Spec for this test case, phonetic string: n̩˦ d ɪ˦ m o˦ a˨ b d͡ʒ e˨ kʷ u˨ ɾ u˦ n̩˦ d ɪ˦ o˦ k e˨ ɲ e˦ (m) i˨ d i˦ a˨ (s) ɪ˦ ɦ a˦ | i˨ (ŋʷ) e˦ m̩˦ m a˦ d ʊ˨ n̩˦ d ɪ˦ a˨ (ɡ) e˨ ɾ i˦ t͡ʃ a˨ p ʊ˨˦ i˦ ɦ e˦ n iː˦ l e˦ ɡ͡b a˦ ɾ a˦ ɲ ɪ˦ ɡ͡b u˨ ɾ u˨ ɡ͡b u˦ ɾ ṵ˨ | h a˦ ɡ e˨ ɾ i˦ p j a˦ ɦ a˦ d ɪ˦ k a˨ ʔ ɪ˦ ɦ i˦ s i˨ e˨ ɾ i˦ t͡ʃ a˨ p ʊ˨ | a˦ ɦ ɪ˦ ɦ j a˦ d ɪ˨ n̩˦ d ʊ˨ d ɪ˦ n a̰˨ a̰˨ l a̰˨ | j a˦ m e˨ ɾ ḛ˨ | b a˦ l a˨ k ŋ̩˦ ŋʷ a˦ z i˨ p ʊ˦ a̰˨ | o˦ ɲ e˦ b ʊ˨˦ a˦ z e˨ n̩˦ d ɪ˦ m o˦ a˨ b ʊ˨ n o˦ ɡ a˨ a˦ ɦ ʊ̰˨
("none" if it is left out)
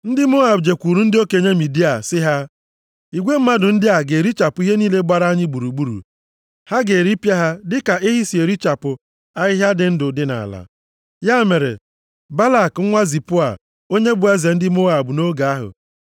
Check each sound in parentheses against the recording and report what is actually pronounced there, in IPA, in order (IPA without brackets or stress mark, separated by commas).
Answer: m, s, ɡʷ, ɡ